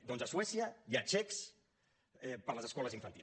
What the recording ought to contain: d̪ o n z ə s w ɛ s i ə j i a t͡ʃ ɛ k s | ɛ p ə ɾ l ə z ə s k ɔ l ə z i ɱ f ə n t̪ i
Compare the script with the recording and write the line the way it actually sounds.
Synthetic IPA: d̪ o n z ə s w ɛ s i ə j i a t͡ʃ ɛ k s | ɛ p ə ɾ l ə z ə s k ɔ l ə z i ɱ f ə n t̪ i

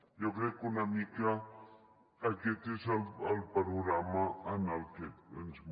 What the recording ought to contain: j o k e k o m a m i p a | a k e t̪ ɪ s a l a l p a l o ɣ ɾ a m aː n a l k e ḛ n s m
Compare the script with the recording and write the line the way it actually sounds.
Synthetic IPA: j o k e k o n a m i k a | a k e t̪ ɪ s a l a l p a ɾ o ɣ ɾ a m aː n a l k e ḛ n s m

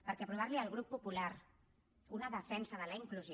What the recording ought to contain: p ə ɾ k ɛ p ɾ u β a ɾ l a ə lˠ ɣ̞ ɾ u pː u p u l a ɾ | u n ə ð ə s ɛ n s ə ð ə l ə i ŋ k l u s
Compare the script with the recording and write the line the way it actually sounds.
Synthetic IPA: p ə ɾ k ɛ p ɾ u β a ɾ l i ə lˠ ɣ̞ ɾ u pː u p u l a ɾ | u n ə ð ə f ɛ n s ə ð ə l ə i ŋ k l u z

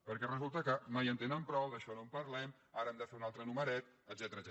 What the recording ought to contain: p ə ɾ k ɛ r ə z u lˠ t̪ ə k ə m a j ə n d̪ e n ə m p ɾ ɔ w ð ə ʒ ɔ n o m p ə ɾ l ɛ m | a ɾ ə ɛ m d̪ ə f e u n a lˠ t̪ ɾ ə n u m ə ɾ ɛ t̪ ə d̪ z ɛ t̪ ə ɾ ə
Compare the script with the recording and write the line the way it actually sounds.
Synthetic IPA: p ə ɾ k ɛ r ə z u lˠ t̪ ə k ə m a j ə n t̪ e n ə m p ɾ ɔ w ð ə ʃ ɔ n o m p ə ɾ l ɛ m | a ɾ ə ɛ m d̪ ə f e u n a lˠ t̪ ɾ ə n u m ə ɾ ɛ t̪ ə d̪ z ɛ t̪ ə ɾ ə

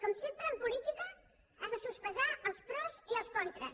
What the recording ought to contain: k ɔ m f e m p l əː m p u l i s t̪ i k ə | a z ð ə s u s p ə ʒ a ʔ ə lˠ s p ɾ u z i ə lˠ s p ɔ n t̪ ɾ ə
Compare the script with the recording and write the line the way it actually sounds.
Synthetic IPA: k ɔ m s e m p ɾ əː m p u l i t̪ i k ə | a z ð ə s u s p ə ʒ a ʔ ə lˠ s p ɾ ɔ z i ə lˠ s k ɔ n t̪ ɾ ə

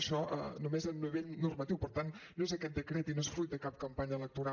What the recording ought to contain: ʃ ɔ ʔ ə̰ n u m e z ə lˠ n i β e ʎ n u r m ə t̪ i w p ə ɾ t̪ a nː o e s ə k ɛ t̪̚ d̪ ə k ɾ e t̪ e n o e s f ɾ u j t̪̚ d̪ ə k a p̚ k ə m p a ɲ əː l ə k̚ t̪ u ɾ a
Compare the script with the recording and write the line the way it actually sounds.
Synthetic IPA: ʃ ɔ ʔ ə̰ n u m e z ə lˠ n i β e ʎ n u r m ə t̪ i w p ə ɾ t̪ a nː o e z ə k ɛ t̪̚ d̪ ə k ɾ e t̪ i n o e s f ɾ u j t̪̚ d̪ ə k a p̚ k ə m p a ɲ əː l ə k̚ t̪ u ɾ a

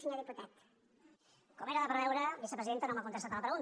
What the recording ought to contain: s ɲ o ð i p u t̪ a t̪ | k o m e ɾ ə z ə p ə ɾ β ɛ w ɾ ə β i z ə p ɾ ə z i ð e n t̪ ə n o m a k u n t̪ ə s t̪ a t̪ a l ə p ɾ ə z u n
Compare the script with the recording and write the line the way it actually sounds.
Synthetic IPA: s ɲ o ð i p u t̪ a t̪ | k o m e ɾ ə ð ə p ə ɾ β ɛ w ɾ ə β i s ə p ɾ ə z i ð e n t̪ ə n o m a k u n t̪ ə s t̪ a t̪ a l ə p ɾ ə ɣ u n

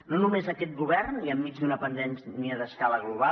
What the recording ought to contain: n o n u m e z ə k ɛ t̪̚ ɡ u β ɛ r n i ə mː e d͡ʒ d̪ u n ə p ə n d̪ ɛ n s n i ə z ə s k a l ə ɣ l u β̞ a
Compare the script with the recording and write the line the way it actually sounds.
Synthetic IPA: n o n u m e z ə k ɛ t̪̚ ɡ u β ɛ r n i ə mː i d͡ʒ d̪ u n ə p ə n d̪ ɛ n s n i ə ð ə s k a l ə ɣ l u β̞ a

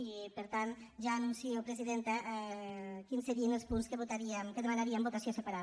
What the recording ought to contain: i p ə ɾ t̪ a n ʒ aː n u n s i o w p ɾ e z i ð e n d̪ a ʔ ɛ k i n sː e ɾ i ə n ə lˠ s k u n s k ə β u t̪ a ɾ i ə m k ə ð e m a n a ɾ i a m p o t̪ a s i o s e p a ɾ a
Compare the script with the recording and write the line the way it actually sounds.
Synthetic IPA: i p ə ɾ t̪ a n ʒ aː n u n s i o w p ɾ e z i ð e n t̪ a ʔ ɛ k i n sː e ɾ i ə n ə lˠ s p u n s k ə β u t̪ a ɾ i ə m k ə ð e m a n a ɾ i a m b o t̪ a s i o s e p a ɾ a

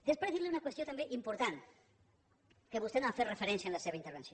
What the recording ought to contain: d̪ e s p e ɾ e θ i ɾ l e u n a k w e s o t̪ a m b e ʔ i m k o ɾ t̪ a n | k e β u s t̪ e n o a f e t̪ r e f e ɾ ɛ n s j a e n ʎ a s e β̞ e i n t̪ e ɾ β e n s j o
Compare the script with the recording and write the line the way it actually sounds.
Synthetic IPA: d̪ e s p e ɾ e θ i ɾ l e u n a k w e s o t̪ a m b e ʔ i m p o ɾ t̪ a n | k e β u s t̪ e n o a f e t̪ r e f e ɾ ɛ n s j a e n l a s e β̞ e i n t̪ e ɾ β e n s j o

